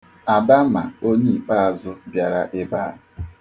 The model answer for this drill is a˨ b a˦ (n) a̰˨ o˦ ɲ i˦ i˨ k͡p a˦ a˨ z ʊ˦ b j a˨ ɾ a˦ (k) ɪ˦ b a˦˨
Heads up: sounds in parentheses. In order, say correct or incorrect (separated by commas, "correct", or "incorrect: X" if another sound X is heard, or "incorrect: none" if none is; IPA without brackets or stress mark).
incorrect: m, incorrect: ʔ